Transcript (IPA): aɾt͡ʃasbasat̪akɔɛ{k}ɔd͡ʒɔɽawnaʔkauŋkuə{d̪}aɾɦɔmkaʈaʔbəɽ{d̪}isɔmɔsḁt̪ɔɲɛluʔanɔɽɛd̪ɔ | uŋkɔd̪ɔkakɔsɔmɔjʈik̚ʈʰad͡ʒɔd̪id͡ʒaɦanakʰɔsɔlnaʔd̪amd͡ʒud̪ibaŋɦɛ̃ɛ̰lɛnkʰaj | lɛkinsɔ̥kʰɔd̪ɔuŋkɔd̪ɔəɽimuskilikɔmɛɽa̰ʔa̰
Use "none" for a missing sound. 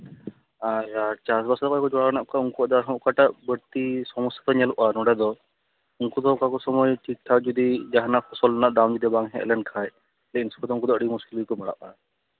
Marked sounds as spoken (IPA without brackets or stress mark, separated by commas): k, d̪, t̪